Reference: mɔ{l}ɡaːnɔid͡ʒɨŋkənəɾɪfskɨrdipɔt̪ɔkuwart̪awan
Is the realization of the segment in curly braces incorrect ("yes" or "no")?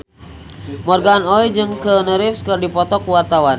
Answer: yes